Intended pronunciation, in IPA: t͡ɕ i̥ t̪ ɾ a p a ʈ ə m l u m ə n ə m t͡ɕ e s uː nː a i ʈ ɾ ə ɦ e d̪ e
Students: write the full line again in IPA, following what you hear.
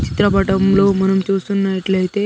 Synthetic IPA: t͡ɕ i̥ t̪ ɾ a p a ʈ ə m l o m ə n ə m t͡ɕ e s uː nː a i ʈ l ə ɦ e t̪ e